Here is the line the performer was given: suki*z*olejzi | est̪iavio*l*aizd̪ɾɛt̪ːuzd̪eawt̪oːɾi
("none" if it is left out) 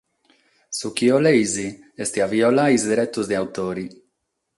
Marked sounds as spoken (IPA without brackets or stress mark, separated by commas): none, l